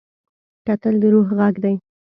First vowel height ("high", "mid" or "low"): low